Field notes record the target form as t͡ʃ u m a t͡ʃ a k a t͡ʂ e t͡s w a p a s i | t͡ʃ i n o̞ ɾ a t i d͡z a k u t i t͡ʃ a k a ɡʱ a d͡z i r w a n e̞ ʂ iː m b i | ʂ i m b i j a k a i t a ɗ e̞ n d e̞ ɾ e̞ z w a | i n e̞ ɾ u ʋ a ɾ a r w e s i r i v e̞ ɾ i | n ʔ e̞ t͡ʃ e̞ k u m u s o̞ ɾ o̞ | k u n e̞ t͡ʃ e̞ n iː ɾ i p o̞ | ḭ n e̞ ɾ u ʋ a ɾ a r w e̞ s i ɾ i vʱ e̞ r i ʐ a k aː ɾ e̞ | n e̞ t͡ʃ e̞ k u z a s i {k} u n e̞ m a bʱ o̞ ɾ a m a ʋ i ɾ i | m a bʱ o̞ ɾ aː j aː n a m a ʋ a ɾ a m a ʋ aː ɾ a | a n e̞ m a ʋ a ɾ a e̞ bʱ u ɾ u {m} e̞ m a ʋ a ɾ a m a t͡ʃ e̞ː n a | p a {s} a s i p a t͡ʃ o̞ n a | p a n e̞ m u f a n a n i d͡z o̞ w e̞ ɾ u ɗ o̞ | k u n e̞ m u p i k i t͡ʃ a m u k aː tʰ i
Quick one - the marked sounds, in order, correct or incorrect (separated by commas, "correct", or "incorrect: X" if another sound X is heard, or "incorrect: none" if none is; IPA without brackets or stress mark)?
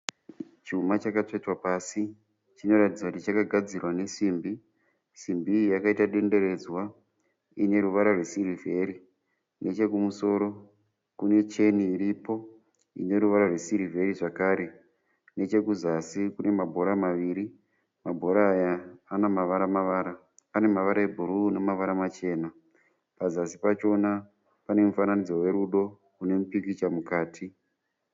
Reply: correct, incorrect: n, incorrect: z